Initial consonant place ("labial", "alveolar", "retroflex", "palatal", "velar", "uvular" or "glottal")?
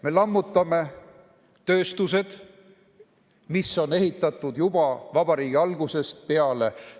labial